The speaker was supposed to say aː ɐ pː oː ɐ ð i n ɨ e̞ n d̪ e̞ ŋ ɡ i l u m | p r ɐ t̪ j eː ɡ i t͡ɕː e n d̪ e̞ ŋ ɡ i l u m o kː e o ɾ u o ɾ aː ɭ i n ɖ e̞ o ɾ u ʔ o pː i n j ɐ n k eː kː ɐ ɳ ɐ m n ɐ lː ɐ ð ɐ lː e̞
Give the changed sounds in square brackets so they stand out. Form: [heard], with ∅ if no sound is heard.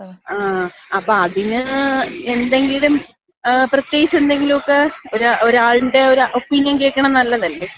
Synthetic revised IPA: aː ɐ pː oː ɐ ð i n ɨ e̞ n d̪ e̞ ŋ ɡ i l u m | p r ɐ t̪ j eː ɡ i t͡ɕː e n d̪ e̞ ŋ ɡ i l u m o kː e o ɾ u o ɾ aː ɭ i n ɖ e̞ o ɾ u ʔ o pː i n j ɐ n k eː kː ɐ ɳ ɐ m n ɐ lː ɐ ð ɐ lː e̞